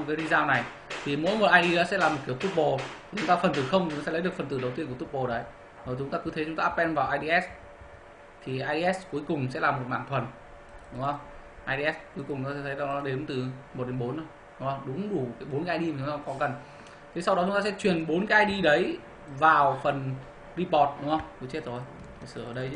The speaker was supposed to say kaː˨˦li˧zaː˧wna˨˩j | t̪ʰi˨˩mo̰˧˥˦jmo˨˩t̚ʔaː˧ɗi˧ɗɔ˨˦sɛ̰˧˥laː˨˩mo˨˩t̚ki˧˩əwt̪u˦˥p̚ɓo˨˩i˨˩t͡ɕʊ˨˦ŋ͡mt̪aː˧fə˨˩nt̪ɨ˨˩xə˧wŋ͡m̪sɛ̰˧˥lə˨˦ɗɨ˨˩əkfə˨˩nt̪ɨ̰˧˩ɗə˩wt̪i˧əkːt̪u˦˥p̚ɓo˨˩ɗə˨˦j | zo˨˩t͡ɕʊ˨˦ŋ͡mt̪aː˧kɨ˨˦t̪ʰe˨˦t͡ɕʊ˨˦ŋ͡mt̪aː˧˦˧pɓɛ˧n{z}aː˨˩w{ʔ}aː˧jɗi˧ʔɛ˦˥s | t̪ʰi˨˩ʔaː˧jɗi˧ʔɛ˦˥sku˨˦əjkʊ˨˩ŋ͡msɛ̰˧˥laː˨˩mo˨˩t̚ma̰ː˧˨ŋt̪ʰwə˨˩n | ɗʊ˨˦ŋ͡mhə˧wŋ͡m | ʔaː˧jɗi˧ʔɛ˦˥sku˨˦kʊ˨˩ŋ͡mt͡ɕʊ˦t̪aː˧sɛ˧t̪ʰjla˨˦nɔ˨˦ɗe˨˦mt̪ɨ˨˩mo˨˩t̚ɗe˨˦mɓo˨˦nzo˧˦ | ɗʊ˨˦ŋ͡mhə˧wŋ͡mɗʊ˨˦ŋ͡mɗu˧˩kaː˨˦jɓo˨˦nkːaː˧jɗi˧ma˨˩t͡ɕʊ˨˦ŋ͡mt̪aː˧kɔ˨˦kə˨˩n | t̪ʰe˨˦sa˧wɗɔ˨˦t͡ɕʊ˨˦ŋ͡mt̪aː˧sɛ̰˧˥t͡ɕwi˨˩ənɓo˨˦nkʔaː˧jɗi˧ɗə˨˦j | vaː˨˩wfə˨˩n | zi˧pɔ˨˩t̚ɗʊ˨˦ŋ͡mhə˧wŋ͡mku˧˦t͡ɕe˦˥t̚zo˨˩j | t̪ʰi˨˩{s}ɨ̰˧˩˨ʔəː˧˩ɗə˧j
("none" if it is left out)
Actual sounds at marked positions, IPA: v, ʔ, s

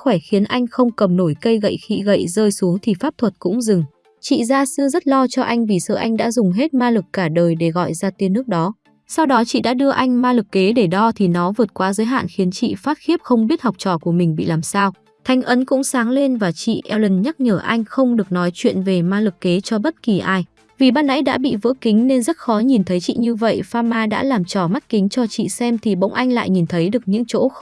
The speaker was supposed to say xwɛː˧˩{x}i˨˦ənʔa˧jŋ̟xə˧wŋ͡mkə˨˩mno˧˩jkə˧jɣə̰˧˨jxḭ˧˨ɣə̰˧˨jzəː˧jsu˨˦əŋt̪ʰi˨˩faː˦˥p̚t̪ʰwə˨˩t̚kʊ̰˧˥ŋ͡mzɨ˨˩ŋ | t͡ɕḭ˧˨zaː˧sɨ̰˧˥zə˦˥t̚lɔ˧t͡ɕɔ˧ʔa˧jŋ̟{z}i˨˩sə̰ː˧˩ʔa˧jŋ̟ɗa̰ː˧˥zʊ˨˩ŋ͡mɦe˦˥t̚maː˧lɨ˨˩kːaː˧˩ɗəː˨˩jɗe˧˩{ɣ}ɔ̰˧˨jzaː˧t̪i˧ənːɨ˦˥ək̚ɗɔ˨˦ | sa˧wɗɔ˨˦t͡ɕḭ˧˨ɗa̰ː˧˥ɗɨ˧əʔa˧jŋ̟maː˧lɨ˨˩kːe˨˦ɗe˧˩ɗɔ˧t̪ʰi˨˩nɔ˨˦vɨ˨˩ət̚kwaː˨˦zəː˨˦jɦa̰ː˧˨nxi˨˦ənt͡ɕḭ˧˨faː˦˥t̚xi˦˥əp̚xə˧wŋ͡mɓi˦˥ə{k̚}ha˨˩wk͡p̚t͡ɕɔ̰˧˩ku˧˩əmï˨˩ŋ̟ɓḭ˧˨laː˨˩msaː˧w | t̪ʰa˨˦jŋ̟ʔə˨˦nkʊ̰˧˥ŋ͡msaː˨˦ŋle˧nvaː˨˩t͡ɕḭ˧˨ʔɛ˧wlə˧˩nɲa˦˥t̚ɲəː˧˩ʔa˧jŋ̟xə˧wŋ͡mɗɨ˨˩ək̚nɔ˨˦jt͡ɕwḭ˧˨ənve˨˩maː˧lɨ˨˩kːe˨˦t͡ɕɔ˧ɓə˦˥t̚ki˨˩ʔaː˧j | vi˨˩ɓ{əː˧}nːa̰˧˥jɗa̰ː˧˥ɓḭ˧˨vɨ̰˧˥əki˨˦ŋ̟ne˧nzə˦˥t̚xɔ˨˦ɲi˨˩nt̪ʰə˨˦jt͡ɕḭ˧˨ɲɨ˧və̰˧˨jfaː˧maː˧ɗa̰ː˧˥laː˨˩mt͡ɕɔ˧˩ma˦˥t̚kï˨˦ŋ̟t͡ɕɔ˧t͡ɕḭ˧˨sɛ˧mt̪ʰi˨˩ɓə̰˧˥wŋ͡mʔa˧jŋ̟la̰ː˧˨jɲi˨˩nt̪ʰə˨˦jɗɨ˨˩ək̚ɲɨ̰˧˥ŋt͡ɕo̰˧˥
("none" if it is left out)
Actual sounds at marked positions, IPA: x, v, ɣ, t̚, aː˧

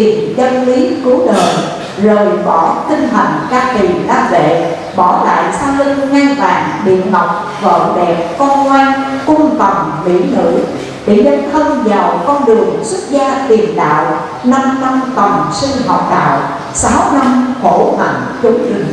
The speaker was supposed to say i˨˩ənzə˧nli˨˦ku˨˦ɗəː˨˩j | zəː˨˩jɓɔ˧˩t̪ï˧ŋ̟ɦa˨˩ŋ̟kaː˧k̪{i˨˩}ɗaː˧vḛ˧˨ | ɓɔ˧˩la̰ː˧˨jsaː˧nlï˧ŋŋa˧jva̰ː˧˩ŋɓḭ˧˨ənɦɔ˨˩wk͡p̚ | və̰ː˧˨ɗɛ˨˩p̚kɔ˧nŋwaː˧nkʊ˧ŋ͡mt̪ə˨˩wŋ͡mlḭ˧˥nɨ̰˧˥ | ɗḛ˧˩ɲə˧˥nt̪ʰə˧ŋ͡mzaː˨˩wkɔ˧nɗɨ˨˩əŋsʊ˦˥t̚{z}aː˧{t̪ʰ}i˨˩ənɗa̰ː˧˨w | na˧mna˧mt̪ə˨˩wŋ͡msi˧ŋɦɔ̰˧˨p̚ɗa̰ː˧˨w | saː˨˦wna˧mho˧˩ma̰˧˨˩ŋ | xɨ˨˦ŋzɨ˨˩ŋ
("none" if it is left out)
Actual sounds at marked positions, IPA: i˨˩, z, t̪

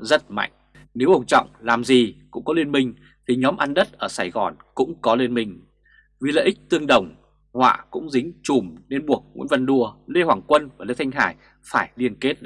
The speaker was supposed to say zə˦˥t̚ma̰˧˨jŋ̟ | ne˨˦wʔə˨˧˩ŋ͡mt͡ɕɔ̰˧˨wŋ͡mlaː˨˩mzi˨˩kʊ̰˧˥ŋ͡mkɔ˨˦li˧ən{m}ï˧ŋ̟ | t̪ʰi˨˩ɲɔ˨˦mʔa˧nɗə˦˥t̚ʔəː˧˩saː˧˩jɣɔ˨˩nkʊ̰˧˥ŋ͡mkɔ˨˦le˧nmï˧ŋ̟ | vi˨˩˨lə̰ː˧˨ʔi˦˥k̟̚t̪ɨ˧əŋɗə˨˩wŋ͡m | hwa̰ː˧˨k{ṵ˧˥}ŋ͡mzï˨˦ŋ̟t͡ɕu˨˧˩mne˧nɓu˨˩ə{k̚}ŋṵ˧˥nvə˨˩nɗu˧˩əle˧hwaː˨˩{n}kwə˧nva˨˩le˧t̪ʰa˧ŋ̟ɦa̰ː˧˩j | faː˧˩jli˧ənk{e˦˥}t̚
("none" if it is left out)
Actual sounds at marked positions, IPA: m, ʊ̰˧˥, k̚, ŋ, e˦˥

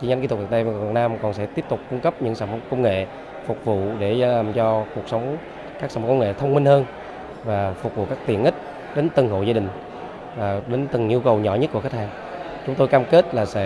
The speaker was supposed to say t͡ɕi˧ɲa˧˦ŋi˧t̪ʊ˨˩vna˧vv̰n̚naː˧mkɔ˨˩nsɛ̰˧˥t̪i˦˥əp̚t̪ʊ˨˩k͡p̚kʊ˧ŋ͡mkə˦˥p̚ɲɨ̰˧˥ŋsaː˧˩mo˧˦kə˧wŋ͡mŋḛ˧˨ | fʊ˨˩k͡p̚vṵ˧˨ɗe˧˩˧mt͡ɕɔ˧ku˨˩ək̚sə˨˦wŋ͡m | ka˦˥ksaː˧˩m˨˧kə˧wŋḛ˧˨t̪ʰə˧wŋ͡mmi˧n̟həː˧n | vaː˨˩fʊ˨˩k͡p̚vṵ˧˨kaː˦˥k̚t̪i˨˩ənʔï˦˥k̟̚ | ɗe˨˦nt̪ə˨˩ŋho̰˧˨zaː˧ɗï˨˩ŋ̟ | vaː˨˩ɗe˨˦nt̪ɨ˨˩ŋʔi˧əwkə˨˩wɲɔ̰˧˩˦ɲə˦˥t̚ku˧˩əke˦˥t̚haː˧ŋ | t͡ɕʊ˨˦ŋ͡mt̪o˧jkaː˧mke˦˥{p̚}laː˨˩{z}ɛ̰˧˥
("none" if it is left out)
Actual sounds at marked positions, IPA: t̚, s

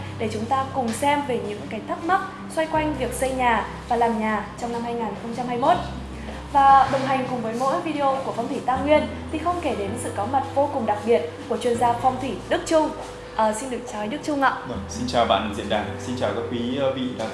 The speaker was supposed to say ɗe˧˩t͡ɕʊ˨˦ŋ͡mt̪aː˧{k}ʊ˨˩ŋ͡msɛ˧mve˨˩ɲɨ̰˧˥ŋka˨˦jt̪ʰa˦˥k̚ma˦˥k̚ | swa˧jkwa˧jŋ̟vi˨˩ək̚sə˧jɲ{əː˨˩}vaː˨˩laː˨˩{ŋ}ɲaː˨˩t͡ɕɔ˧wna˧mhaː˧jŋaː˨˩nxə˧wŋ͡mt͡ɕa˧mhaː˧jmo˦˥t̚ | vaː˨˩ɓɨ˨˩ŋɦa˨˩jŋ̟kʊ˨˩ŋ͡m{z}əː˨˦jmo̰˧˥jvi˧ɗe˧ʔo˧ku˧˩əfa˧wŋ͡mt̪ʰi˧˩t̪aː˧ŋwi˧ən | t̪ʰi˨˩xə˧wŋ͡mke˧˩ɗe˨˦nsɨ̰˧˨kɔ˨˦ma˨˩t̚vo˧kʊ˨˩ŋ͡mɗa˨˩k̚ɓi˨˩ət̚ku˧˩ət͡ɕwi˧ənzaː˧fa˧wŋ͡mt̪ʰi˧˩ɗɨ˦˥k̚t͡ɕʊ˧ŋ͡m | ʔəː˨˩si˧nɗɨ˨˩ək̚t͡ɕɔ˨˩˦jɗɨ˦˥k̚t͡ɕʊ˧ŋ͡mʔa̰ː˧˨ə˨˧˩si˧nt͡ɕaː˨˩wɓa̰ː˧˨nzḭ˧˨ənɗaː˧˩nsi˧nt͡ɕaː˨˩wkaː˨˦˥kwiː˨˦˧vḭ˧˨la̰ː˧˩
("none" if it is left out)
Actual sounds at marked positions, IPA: k, aː˨˩, m, v

